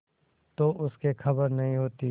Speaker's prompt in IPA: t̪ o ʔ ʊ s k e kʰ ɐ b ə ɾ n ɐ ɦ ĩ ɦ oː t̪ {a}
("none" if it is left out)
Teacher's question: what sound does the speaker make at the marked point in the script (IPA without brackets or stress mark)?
i